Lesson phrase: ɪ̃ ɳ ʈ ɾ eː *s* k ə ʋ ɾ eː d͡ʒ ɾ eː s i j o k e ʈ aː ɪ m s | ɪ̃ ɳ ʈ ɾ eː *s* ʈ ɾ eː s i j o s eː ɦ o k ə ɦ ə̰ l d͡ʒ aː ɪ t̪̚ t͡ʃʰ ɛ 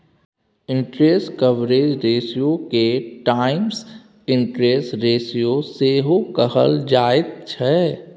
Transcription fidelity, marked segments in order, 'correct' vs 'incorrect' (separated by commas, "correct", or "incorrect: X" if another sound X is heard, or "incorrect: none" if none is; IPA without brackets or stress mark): correct, correct